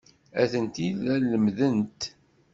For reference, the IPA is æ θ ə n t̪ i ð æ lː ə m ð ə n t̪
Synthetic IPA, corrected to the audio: æ θ ə n t̪ i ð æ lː ə m ð ə n t̪